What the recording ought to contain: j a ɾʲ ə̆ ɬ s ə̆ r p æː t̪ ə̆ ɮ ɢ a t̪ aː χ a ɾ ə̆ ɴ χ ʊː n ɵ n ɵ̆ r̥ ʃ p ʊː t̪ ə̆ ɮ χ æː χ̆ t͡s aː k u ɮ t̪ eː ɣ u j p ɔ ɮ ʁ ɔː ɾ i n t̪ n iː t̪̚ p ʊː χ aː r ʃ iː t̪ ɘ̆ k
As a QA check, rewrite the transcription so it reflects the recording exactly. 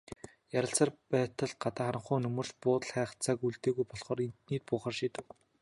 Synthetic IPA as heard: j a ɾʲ ə̆ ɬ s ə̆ r p æː t̪ ə̆ ɮ ɢ a t̪ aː χ a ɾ ə̆ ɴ χ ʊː n ɵ m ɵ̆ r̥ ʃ p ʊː t̪ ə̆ ɮ χ æː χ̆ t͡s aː k u ɮ t̪ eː ɣ u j p ɔ ɮ χ ɔː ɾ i n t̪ n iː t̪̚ p ʊː χ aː r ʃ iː t̪ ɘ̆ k